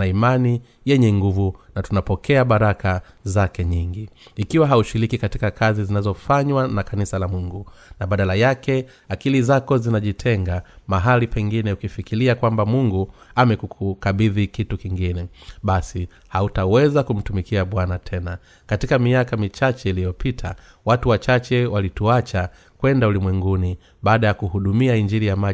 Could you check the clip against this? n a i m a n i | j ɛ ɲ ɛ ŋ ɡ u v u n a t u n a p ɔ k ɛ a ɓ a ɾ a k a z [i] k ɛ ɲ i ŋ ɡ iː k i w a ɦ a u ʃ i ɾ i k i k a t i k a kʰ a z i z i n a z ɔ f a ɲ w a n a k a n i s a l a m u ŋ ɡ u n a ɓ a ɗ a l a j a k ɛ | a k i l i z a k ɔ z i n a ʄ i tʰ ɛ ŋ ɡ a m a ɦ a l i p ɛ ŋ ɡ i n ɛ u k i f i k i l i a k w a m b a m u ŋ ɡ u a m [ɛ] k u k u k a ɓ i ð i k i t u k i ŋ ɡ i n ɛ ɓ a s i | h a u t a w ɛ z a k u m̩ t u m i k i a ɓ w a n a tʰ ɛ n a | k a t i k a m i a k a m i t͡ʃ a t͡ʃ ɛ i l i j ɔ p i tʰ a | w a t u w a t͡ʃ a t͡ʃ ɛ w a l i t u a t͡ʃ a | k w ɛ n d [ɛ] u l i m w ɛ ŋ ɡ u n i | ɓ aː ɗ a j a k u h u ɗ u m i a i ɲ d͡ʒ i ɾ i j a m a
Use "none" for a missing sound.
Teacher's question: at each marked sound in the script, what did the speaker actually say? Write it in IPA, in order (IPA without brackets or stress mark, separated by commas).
a, ɛ, a